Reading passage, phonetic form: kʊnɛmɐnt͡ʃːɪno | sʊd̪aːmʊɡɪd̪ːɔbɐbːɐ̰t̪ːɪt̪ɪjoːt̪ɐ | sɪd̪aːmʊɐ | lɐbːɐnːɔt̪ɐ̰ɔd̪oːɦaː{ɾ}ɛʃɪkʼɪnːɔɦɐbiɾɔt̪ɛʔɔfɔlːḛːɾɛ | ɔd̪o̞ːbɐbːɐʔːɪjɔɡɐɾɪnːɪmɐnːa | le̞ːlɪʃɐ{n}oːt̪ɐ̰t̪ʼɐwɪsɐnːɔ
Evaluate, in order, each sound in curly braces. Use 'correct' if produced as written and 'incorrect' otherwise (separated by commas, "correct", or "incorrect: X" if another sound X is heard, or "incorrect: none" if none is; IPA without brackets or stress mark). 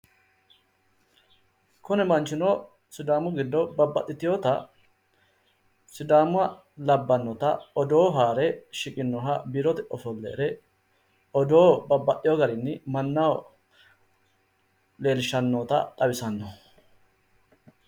correct, incorrect: nː